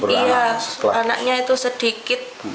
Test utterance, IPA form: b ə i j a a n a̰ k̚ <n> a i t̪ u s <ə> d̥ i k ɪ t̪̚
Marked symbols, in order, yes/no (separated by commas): no, yes